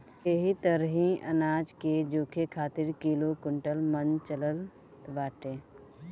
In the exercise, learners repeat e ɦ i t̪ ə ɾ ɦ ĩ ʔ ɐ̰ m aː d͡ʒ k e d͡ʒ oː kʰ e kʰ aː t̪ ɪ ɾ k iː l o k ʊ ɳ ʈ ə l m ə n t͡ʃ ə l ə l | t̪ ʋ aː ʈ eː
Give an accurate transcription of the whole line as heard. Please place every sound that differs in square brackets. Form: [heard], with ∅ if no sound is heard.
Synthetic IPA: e ɦ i t̪ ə ɾ ɦ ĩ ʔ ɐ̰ [n] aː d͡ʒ k e d͡ʒ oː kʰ e kʰ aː t̪ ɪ ɾ k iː l o k ʊ ɳ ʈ ə l m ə n t͡ʃ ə l ə l | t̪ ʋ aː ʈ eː